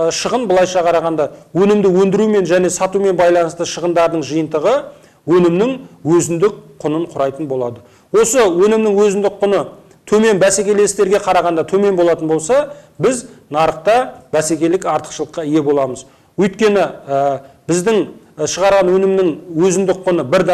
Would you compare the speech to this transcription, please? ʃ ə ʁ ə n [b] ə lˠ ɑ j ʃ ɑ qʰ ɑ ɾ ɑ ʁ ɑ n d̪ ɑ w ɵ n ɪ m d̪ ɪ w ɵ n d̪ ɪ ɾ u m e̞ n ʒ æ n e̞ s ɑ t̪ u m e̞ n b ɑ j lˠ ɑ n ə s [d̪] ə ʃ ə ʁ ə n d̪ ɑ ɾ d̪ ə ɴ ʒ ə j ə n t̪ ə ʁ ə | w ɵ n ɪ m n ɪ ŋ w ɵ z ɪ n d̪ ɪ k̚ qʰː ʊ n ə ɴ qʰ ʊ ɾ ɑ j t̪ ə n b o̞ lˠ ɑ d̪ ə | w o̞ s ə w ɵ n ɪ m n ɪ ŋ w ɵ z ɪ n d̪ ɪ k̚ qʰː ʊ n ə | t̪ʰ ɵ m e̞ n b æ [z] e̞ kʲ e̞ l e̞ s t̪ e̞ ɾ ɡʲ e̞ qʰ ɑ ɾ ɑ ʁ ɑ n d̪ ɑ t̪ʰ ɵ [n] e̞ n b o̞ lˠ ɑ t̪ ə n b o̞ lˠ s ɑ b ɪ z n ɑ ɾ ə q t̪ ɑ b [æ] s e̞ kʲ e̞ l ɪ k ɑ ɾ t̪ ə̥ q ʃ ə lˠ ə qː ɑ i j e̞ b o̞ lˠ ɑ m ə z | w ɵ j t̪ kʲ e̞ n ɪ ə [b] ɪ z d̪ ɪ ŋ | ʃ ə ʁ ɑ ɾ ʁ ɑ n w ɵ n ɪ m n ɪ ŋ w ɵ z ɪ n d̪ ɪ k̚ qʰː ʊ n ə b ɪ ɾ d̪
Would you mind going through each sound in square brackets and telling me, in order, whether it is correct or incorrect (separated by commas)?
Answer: correct, incorrect, incorrect, incorrect, correct, correct